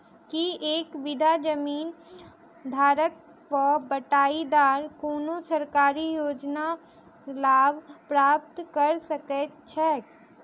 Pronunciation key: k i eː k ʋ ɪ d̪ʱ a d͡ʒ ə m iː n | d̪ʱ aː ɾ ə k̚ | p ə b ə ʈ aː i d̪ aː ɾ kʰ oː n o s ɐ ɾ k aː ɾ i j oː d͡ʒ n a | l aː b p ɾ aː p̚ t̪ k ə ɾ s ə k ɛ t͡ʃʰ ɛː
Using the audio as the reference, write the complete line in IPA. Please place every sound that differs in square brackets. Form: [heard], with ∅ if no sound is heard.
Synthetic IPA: k i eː k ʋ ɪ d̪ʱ a d͡ʒ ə m iː n | d̪ʱ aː ɾ ə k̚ | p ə b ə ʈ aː i d̪ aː ɾ [k] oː n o s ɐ ɾ k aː ɾ i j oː d͡ʒ n a | l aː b p ɾ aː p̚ t̪ k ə ɾ s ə k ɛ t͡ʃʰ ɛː